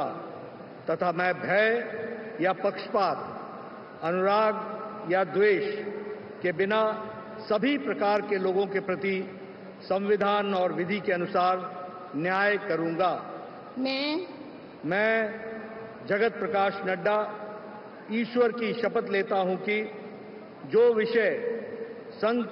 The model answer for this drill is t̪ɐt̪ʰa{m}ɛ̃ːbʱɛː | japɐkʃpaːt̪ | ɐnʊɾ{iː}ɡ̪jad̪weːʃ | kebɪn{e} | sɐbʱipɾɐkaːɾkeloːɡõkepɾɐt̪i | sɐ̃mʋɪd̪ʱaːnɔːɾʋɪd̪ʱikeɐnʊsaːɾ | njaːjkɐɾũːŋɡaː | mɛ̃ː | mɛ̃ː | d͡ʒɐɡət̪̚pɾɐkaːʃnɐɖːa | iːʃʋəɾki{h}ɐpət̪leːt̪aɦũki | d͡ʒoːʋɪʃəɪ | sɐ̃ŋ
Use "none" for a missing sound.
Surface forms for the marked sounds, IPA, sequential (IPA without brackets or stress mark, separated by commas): m, aː, a, ʃ